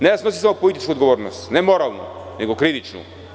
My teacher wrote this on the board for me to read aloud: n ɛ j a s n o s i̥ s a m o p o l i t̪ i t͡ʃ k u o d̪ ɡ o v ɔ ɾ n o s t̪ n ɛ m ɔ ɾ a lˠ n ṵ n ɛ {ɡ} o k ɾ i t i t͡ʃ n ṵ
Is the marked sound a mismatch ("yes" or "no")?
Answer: no